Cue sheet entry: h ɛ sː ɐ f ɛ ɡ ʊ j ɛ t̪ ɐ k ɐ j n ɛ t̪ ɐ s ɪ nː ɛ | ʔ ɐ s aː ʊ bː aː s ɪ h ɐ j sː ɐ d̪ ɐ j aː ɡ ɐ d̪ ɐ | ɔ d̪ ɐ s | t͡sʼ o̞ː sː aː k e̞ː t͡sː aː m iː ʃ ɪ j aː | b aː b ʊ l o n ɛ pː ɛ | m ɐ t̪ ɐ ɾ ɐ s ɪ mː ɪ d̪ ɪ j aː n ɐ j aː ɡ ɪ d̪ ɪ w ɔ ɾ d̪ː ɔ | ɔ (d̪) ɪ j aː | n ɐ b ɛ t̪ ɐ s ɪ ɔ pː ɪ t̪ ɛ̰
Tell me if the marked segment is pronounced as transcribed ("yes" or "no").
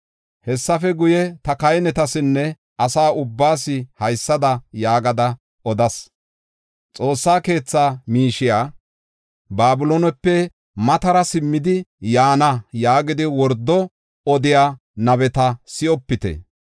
yes